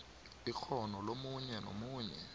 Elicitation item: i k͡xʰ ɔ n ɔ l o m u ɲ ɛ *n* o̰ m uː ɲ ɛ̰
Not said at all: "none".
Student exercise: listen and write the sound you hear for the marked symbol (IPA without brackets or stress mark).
n